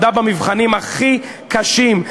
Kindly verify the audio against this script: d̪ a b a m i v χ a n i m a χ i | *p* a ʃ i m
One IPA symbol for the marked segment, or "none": k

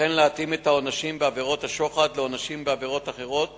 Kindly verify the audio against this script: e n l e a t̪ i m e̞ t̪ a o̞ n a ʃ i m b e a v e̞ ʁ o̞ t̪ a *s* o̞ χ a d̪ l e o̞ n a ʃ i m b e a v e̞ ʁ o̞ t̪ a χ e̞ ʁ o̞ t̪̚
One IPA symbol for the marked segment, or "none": ʃ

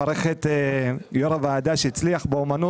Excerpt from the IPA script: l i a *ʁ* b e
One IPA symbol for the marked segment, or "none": χ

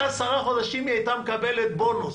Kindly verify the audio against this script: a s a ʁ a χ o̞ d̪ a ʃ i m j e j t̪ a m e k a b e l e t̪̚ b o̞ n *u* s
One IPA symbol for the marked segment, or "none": u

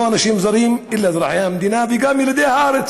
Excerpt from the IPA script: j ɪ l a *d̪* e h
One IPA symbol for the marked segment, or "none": d̪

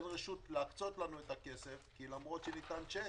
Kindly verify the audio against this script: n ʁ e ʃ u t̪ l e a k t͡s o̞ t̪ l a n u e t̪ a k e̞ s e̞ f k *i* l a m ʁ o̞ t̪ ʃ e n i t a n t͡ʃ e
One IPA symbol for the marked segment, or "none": i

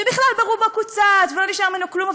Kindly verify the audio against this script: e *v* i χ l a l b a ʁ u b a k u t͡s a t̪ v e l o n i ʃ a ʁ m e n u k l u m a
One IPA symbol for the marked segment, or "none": b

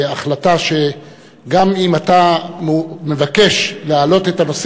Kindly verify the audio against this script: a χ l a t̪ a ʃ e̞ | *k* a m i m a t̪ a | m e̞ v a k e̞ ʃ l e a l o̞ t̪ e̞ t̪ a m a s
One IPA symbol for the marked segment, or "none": ɡ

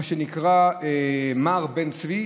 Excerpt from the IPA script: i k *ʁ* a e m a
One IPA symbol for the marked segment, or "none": ʁ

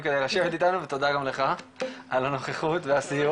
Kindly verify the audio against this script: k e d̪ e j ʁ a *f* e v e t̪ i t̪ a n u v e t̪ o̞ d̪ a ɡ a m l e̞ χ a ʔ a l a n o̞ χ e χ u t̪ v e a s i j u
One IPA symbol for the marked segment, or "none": ʃ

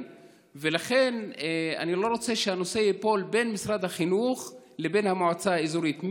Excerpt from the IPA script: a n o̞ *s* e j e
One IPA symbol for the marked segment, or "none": s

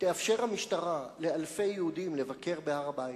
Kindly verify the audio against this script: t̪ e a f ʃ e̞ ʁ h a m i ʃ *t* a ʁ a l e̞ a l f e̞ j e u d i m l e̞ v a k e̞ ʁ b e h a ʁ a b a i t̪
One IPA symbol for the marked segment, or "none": t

